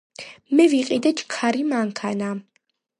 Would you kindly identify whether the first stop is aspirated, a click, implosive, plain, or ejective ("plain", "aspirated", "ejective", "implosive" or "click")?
ejective